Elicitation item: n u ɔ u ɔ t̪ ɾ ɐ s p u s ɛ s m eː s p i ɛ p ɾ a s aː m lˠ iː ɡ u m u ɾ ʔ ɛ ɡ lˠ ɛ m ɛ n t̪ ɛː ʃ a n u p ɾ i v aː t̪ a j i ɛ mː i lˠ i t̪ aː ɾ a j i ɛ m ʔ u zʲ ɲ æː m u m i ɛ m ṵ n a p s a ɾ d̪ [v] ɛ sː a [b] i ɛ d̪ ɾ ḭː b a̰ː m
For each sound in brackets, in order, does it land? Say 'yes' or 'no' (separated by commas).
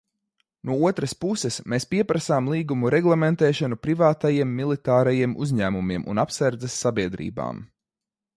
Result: no, yes